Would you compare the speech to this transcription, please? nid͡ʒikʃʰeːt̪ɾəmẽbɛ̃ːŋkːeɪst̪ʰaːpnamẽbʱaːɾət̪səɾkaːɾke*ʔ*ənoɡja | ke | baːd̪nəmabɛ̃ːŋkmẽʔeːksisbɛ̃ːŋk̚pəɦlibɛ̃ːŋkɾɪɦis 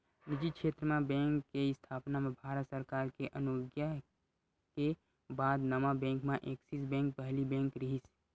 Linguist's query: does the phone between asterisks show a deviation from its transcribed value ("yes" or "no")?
no